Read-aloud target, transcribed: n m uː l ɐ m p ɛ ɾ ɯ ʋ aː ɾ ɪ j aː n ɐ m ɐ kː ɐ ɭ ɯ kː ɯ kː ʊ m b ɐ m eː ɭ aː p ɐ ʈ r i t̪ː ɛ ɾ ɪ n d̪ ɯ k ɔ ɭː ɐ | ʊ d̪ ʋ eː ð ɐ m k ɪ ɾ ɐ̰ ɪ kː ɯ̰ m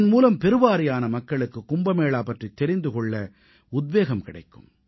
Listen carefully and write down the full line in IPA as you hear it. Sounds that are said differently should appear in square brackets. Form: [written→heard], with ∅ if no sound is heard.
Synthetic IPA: n m uː l ɐ m p ɛ ɾ ɯ ʋ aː ɾ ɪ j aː n ɐ m ɐ kː ɐ ɭ ɯ kː ɯ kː ʊ m b ɐ m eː ɭ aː p ɐ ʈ r i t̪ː ɛ ɾ ɪ n d̪ ɯ k ɔ ɭː ɐ | ʊ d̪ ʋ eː [ð→ɣ] ɐ m k ɪ [ɾ→ɽ] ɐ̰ ɪ kː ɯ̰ m